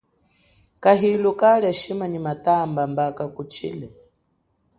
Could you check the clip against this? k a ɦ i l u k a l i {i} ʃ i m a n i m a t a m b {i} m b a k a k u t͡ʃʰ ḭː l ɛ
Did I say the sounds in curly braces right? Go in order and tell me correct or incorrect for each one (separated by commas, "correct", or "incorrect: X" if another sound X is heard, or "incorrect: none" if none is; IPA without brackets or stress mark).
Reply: incorrect: a, incorrect: a